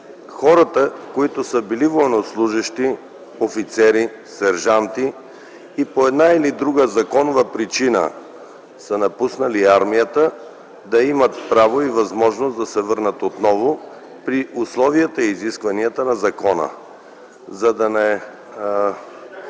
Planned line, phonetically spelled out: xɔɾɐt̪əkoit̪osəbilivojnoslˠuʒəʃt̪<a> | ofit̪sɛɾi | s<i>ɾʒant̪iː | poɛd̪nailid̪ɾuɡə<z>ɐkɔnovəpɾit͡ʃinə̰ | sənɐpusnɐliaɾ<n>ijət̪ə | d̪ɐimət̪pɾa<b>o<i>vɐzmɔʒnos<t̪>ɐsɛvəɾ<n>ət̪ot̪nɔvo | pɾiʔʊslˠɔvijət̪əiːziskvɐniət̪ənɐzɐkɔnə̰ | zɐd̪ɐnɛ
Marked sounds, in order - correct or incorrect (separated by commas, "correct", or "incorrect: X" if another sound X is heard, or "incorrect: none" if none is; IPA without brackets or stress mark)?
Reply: incorrect: i, incorrect: ɛ, correct, incorrect: m, incorrect: v, correct, incorrect: d̪, correct